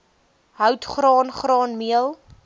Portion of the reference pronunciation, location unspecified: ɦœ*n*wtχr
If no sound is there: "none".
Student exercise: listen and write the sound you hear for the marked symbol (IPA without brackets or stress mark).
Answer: none